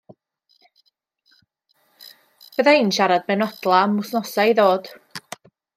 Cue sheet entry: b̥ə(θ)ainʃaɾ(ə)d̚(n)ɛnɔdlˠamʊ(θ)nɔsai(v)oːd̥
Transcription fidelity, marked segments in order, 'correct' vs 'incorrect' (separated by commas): incorrect, incorrect, incorrect, incorrect, incorrect